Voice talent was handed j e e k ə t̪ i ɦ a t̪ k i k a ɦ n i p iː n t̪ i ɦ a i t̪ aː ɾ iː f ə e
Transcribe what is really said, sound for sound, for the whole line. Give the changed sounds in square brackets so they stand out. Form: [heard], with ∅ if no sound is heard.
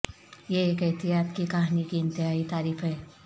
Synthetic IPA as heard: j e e k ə t̪ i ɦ a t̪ k i k a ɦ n i [k] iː n t̪ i ɦ a i t̪ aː ɾ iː f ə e

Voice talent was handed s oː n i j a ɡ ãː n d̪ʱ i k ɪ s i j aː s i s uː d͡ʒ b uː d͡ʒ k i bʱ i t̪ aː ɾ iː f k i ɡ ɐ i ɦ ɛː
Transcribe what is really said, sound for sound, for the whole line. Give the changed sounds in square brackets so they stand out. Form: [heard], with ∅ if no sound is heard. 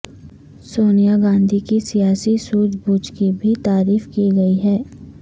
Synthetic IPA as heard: s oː n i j a ɡ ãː n d̪ʱ i k [i] s i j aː s i s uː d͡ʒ b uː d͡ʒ k i bʱ i t̪ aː ɾ iː f k i ɡ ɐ i ɦ ɛː

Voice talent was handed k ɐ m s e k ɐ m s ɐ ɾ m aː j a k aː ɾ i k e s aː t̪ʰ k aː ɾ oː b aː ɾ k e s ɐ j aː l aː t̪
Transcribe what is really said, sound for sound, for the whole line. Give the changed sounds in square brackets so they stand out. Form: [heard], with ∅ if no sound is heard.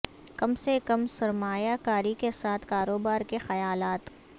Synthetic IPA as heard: k ɐ m s e k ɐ m s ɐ ɾ m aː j a k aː ɾ i k e s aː t̪ʰ k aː ɾ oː b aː ɾ k e [x] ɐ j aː l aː t̪

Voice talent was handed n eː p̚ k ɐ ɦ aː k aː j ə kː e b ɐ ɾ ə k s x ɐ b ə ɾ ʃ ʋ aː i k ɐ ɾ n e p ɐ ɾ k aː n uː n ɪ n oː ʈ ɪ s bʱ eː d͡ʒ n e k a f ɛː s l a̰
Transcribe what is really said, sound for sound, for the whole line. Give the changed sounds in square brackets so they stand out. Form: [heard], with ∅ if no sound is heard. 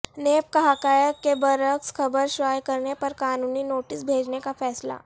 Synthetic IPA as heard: n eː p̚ k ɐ ɦ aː k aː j ə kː e b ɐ ɾ ə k s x ɐ b ə ɾ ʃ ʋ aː [j] k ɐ ɾ n e p ɐ ɾ k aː n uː n [i] n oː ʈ ɪ s bʱ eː d͡ʒ n e k a f ɛː s l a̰

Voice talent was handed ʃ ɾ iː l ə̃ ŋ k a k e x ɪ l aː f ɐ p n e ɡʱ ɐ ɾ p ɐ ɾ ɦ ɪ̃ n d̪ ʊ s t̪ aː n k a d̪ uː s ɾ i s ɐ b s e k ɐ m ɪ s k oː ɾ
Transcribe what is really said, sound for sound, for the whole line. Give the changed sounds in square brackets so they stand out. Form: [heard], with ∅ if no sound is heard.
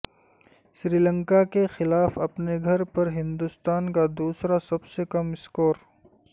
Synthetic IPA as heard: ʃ ɾ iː l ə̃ ŋ k a k e x ɪ l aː f ɐ p n e ɡʱ ɐ ɾ p ɐ ɾ ɦ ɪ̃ n d̪ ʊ s t̪ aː n k a d̪ uː s ɾ [a] s ɐ b s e k ɐ m ɪ s k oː ɾ

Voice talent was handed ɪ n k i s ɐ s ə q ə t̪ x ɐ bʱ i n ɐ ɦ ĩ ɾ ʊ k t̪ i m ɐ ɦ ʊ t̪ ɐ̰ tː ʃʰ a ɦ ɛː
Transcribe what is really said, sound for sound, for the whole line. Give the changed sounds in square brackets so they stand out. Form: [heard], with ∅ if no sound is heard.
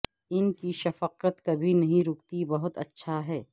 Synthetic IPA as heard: ɪ n k i [ʃ] ɐ [f] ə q ə t̪ [k] ɐ bʱ i n ɐ ɦ ĩ ɾ ʊ k t̪ i [b] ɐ ɦ ʊ t̪ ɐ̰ tː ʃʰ a ɦ ɛː

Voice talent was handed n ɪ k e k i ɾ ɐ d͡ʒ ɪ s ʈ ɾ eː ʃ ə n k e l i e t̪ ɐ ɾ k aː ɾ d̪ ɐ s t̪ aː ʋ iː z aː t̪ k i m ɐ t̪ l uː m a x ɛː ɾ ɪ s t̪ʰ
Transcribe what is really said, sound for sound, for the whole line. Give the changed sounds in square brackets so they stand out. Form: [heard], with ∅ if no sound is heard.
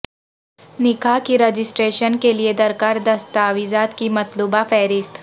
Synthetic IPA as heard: n ɪ k [a] k i ɾ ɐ d͡ʒ ɪ s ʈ ɾ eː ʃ ə n k e l i e [d̪] ɐ ɾ k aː ɾ d̪ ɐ s t̪ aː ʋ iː z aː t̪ k i m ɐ t̪ l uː [b] a [f] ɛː ɾ ɪ s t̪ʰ

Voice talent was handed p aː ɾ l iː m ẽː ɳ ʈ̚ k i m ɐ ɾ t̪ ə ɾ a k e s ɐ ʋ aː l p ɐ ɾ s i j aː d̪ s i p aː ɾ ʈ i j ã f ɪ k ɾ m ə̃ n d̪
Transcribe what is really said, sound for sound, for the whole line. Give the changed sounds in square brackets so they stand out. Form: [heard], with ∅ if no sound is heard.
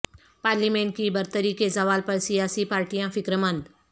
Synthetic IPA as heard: p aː ɾ l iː m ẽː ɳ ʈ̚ k i [b] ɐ ɾ t̪ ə ɾ [i] k e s ɐ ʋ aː l p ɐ ɾ s i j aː [∅] s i p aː ɾ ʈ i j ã f ɪ k ɾ m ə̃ n d̪

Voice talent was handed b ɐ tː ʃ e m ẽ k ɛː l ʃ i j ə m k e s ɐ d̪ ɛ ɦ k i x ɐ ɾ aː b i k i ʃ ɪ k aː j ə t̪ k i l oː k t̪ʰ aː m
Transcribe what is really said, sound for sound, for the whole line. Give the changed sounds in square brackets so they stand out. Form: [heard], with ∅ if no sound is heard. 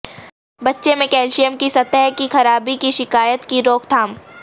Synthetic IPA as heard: b ɐ tː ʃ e m ẽ k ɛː l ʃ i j ə m k [i] s ɐ [t̪] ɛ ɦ k i x ɐ ɾ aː b i k i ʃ ɪ k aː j ə t̪ k i [ɾ] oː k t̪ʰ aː m

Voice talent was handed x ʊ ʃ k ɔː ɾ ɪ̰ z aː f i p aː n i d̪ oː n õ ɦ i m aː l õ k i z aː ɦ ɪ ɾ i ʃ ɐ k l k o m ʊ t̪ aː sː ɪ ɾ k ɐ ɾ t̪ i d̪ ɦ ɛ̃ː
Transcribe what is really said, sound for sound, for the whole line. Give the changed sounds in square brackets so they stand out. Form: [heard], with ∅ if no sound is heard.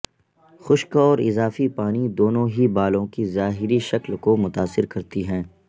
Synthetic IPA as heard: x ʊ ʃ k ɔː ɾ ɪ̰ z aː f i p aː n i d̪ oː n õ ɦ i [b] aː l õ k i z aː ɦ ɪ ɾ i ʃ ɐ k l k o m ʊ t̪ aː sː ɪ ɾ k ɐ ɾ t̪ i [∅] ɦ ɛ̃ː

